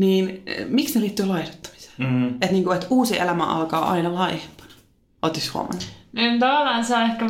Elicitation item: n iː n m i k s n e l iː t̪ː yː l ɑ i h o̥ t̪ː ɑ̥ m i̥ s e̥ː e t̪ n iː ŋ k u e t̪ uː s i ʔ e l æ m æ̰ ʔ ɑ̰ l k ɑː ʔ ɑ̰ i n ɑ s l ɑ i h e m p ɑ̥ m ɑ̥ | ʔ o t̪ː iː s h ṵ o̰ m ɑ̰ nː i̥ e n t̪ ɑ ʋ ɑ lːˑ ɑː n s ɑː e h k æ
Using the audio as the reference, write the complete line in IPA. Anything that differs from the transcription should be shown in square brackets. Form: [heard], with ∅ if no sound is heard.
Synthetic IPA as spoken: n iː n m i k s n e l iː t̪ː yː l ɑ i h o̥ t̪ː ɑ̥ m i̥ s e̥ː e t̪ n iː ŋ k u e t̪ uː s i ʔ e l æ m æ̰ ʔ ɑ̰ l k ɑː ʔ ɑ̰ i n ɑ [∅] l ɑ i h e m p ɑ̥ [n] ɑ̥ | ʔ o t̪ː [i] s h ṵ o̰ m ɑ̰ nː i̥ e n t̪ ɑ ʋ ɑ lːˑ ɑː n s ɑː e h k æ